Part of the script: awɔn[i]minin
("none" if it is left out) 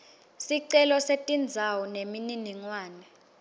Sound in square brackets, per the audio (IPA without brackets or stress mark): e